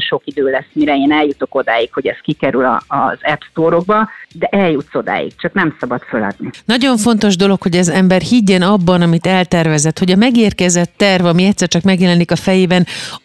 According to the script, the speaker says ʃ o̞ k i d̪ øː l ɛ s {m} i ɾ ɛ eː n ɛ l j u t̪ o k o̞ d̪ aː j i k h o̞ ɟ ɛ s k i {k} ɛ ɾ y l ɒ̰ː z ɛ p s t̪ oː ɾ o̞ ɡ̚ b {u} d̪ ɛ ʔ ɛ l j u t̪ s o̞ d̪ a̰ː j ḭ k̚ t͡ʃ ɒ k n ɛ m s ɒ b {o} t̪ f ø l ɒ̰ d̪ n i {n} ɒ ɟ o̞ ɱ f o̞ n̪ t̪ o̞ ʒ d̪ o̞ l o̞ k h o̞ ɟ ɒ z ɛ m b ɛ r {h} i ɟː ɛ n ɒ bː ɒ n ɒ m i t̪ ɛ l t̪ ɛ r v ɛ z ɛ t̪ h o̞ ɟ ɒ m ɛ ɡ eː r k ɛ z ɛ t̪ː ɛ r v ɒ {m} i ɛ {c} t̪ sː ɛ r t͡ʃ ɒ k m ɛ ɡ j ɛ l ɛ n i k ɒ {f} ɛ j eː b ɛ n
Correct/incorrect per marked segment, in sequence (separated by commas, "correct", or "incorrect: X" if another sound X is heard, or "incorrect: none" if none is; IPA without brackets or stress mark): correct, correct, incorrect: ɒ, incorrect: ɒ, correct, correct, correct, correct, correct